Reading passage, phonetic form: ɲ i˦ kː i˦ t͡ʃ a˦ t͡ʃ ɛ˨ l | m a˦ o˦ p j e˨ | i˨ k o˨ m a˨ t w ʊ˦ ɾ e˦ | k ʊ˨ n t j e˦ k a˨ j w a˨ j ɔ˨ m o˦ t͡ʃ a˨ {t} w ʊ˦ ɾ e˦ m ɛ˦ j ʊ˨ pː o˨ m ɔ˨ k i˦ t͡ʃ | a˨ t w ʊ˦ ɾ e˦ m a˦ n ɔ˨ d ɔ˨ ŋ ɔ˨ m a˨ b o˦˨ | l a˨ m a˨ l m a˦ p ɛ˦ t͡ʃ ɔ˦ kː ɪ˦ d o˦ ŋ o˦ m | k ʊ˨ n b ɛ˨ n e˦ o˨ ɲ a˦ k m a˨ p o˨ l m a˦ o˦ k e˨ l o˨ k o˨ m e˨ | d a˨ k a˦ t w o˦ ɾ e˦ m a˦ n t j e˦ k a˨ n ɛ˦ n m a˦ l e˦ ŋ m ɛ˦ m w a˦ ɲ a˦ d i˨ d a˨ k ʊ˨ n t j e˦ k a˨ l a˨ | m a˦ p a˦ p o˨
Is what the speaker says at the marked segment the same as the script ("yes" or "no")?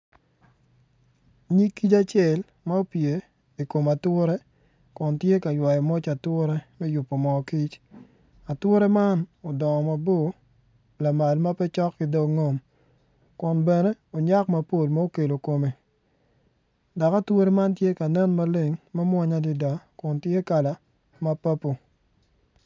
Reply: yes